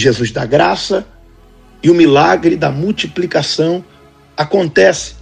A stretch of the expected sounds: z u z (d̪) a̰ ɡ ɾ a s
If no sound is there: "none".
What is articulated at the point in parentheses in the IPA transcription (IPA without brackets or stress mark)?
d̪